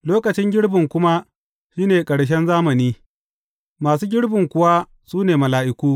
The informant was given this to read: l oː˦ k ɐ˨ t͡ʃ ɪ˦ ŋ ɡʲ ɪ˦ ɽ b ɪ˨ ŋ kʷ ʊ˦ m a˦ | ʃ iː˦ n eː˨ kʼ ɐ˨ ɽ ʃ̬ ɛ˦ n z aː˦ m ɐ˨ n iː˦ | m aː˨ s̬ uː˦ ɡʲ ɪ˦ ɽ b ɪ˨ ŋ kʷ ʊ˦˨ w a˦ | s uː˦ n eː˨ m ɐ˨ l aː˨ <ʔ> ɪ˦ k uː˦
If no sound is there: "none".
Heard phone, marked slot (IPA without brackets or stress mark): ʔ